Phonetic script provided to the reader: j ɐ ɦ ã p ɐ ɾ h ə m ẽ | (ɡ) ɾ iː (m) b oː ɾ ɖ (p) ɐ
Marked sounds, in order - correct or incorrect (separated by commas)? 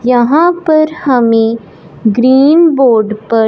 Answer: correct, incorrect, correct